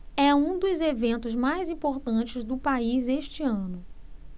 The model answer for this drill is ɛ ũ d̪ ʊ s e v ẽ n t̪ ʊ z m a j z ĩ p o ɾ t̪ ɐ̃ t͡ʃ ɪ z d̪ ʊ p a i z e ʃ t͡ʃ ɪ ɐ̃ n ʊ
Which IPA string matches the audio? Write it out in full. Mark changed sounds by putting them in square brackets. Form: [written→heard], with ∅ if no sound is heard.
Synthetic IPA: ɛ ũ d̪ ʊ [s→z] e v ẽ n t̪ ʊ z m a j z ĩ p o ɾ t̪ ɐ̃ t͡ʃ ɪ z d̪ ʊ p a i z e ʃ t͡ʃ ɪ ɐ̃ n ʊ